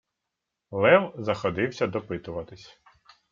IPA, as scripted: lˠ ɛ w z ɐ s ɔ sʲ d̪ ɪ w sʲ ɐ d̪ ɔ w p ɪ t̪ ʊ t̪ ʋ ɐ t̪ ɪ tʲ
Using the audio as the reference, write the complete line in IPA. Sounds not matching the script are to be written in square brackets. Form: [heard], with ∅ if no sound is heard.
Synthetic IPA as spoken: lˠ ɛ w z ɐ [x] ɔ [∅] d̪ ɪ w sʲ ɐ d̪ ɔ [∅] p ɪ t̪ ʊ [∅] ʋ ɐ t̪ ɪ [sʲ]

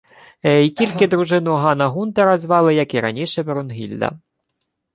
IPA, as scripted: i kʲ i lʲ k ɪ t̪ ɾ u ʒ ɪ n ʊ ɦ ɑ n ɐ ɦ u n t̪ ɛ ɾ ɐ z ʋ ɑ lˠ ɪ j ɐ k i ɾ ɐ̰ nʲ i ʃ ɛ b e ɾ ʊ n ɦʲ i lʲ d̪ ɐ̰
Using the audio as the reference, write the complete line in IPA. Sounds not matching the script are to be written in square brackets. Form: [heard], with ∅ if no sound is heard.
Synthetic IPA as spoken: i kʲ i lʲ k ɪ [d̪] ɾ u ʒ ɪ n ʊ ɦ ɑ n ɐ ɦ u n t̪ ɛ ɾ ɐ z ʋ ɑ lˠ ɪ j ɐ k i ɾ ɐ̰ nʲ i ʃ ɛ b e ɾ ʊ n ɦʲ i lʲ d̪ ɐ̰

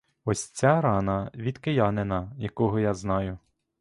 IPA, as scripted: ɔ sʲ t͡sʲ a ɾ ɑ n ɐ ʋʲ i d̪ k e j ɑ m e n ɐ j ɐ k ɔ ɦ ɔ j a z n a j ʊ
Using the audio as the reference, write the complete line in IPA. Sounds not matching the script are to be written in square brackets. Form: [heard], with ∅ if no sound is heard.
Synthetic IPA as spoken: ɔ sʲ t͡sʲ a ɾ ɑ n ɐ ʋʲ i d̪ k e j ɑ [n] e n ɐ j ɐ k ɔ ɦ ɔ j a z n [ɑ] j ʊ

